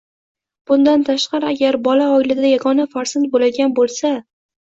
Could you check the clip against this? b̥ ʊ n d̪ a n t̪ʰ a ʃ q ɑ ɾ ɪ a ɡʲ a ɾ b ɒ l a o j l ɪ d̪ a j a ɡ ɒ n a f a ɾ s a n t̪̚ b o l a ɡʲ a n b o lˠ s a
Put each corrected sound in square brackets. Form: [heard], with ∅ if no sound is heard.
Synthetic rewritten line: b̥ ʊ n d̪ a n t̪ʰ a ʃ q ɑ ɾ ɪ a ɡʲ a ɾ b ɒ l a [ɒ] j l ɪ d̪ a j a ɡ ɒ n a f a ɾ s a n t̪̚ b o l a ɡʲ a n b o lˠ s a